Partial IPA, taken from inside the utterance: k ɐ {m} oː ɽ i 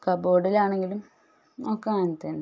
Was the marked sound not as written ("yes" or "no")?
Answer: yes